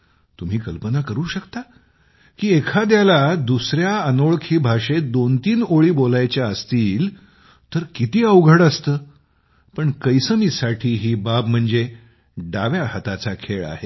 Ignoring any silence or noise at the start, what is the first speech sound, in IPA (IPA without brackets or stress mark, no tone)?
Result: t̪